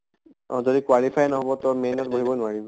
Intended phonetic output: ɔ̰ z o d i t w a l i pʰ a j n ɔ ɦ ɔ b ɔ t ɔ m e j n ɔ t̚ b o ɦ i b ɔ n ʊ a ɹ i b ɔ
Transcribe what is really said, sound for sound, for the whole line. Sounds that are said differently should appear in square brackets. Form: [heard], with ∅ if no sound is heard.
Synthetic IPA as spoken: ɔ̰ z o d i [k] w a l i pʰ a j n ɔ ɦ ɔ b ɔ t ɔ m e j n ɔ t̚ b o ɦ i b ɔ n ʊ a ɹ i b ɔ